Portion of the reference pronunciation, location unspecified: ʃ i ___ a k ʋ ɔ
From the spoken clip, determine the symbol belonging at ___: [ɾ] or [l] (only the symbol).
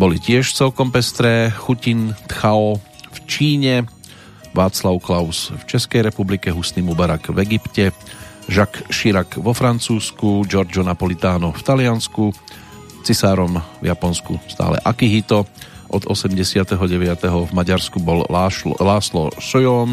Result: ɾ